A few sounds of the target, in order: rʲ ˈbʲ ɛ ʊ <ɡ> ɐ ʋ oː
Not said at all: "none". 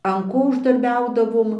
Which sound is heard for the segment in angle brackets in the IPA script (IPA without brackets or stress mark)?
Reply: d